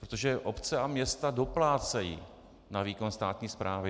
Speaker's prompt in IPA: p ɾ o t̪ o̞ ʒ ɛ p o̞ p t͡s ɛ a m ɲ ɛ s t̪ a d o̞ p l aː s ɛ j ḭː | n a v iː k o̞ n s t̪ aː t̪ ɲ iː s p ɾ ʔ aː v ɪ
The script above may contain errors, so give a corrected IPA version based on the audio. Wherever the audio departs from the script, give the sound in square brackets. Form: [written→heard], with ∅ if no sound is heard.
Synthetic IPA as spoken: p ɾ o t̪ o̞ ʒ ɛ [p→ʔ] o̞ p t͡s ɛ a m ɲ ɛ s t̪ a d o̞ p l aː [s→t͡s] ɛ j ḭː | n a v iː k o̞ n s t̪ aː t̪ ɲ iː s p ɾ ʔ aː v ɪ